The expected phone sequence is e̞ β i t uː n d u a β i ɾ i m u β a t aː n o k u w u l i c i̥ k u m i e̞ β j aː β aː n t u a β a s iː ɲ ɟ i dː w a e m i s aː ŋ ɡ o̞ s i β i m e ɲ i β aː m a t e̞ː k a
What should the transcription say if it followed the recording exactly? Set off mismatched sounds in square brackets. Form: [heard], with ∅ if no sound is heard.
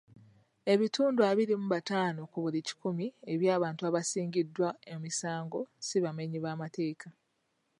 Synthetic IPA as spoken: e̞ β i t uː n d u a β i ɾ i m u β a t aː n o k u [β] u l i c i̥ k u m i e̞ β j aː β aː n t u a β a s iː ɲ ɟ i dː w a e m i s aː ŋ ɡ o̞ s i β [a] m e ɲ i β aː m a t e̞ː k a